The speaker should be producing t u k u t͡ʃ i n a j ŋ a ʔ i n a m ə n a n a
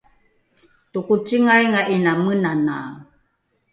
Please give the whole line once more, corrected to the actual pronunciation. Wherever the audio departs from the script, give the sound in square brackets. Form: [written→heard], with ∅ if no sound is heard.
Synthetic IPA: t u k u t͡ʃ i [n→ŋ] a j ŋ a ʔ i n a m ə n a n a